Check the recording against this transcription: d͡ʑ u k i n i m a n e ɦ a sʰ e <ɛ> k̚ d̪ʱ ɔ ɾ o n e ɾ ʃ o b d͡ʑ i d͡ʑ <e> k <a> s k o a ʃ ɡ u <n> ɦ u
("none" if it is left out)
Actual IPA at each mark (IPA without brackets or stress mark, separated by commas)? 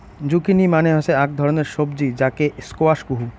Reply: a, a, e, none